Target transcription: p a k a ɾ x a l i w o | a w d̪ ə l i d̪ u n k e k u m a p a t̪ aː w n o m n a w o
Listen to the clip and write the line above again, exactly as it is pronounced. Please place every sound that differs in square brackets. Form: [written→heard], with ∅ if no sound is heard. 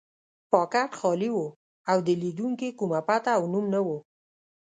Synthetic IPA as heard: p [a→ɑ] k a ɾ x [a→ɑ] l i w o | a w d̪ ə l i d̪ u [n→ŋ] k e k u m a p a t̪ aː w n [o→u] m n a w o